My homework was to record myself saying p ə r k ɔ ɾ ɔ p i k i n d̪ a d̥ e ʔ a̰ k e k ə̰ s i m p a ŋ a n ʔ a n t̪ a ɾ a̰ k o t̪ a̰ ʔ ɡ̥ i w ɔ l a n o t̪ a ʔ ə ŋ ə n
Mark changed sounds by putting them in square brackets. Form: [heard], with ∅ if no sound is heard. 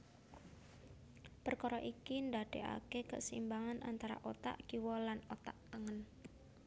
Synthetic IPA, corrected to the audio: p ə r k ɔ ɾ ɔ [ʔ] i k i n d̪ a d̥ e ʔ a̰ k e k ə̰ s i m [b] a ŋ a n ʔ a n t̪ a ɾ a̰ [ʔ] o t̪ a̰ ʔ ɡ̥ i w ɔ l a n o t̪ a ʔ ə ŋ ə n